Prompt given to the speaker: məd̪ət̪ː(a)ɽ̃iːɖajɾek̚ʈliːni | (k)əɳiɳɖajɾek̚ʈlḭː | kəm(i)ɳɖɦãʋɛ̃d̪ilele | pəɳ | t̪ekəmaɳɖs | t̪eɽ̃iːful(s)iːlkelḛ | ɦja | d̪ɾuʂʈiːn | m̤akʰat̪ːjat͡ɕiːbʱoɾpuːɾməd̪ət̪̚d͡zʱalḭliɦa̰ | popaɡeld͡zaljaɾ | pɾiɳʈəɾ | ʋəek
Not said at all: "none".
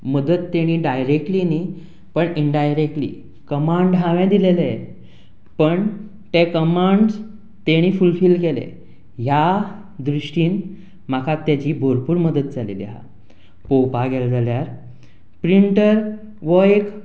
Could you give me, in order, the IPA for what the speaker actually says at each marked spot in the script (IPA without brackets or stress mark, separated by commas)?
e, p, a, f